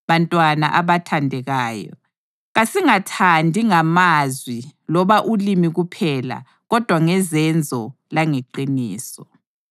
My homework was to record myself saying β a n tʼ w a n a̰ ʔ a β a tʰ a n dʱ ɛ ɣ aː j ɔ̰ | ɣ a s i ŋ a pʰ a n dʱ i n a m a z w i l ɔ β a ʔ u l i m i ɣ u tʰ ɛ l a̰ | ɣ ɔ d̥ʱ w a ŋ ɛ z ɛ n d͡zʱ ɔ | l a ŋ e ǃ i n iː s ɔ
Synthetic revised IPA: β a n tʼ w a n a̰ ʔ a β a tʰ a n dʱ ɛ ɣ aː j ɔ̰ | ɣ a s i ŋ a tʰ a n dʱ i ŋ a m a z w i l ɔ β a ʔ u l i m i ɣ u pʰ ɛ l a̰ | ɣ ɔ d̥ʱ w a ŋ ɛ z ɛ n d͡zʱ ɔ | l a ŋ e ǃ i n iː s ɔ

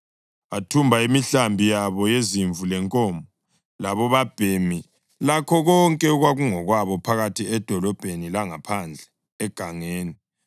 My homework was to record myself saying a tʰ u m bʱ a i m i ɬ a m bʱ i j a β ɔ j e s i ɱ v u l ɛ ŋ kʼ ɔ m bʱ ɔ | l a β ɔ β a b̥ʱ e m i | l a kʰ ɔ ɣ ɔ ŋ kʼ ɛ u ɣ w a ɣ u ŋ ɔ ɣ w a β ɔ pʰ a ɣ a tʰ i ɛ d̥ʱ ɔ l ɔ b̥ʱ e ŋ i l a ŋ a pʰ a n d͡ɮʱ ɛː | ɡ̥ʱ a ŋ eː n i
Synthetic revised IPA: a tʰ u m bʱ a i m i ɬ a m bʱ i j a β ɔ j e z i ɱ v u l ɛ ŋ kʼ ɔ m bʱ ɔ | l a β ɔ β a b̥ʱ e m i | l a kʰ ɔ ɣ ɔ ŋ kʼ ɛ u ɣ w a ɣ u ŋ ɔ ɣ w a β ɔ pʰ a ɣ a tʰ i ɛ d̥ʱ ɔ l ɔ b̥ʱ e n i l a ŋ a pʰ a n d͡ɮʱ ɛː | ɡ̥ʱ a ŋ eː n i

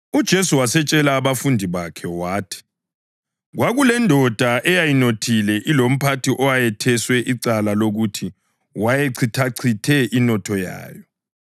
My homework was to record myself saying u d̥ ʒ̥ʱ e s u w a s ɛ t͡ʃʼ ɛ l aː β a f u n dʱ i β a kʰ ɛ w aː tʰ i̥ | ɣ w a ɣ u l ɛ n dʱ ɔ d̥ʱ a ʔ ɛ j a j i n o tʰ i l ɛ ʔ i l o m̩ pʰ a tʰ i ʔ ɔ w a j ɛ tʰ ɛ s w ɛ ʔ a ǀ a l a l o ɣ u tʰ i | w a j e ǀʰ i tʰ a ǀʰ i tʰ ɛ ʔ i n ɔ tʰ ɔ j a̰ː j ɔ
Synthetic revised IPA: u d̥ ʒ̥ʱ e s u w a s ɛ t͡ʃʼ ɛ l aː β a f u n dʱ i β a kʰ ɛ w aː tʰ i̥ | ɣ w a ɣ u l ɛ n dʱ ɔ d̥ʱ a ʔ ɛ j a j i n o tʰ i l ɛ ʔ i l o m̩ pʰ a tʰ i ʔ ɔ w a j ɛ tʰ ɛ s w ɛ ʔ i ǀ a l a l o ɣ u tʰ i | w a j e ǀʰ i tʰ a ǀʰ i tʰ ɛ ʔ i n ɔ tʰ ɔ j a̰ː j ɔ

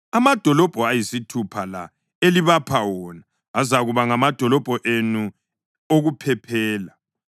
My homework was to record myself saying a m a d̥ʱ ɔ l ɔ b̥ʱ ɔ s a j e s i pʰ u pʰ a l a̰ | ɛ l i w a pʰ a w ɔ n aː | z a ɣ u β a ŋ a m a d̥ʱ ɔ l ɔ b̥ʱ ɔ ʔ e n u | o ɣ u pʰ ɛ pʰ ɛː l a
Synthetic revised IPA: a m a d̥ʱ ɔ l ɔ b̥ʱ ɔ a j i s i tʰ u pʰ a l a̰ | e l i β a pʰ a w ɔ n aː | z a ɣ u β a ŋ a m a d̥ʱ ɔ l ɔ b̥ʱ ɔ ʔ e n u | o ɣ u pʰ ɛ pʰ ɛː l a

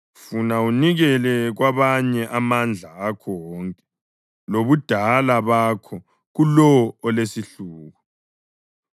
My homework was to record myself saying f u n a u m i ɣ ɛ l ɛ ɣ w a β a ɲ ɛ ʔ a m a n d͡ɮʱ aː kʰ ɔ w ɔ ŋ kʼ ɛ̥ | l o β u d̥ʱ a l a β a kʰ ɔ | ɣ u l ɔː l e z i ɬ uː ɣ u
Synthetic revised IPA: f u n a u n i ɣ ɛ l ɛ ɣ w a β a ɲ ɛ ʔ a m a n d͡ɮʱ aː kʰ ɔ w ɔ ŋ kʼ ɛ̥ | l o β u d̥ʱ a l a β a kʰ ɔ | ɣ u l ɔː l e s i ɬ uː ɣ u

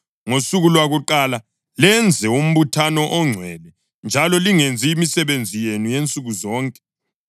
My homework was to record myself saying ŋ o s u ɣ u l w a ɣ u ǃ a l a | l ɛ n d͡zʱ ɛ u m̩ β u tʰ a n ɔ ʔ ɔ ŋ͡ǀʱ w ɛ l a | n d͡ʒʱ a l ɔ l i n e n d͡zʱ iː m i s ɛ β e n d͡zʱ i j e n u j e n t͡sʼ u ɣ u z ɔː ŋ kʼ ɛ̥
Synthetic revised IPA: ŋ o s u ɣ u l w a ɣ u ǃ a l a | l ɛ n d͡zʱ ɛ u m̩ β u tʰ a n ɔ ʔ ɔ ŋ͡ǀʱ w ɛ l ɛ | n d͡ʒʱ a l ɔ l i ŋ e n d͡zʱ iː m i s ɛ β e n d͡zʱ i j e n u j e n t͡sʼ u ɣ u z ɔː ŋ kʼ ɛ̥

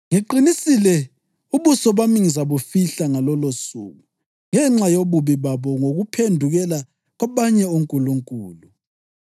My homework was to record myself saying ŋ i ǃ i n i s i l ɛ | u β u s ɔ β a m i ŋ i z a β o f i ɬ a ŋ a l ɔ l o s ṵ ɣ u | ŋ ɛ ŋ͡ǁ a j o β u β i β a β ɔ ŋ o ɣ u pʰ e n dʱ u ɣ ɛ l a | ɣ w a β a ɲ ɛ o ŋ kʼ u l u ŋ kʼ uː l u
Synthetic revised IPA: ŋ i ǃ i n i s i l ɛ | u β u s ɔ β a m i ŋ i z a β o f i ɬ a ŋ a l ɔ l o s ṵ ɣ u | ŋ ɛ ŋ͡ǁ a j o β u β i β a β ɔ ŋ o ɣ u pʰ e n dʱ u ɣ ɛ l a | ɣ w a β a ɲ ɛ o ŋ kʼ u l u ŋ kʼ uː l u

